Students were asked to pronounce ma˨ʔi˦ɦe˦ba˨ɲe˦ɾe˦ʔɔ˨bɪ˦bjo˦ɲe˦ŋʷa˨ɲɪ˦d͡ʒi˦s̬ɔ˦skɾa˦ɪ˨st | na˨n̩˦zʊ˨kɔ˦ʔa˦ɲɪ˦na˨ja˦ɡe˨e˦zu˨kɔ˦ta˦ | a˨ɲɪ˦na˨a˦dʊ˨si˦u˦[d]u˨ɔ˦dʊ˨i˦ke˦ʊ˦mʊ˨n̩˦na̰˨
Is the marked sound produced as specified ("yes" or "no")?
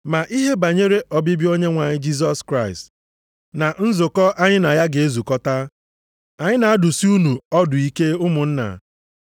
no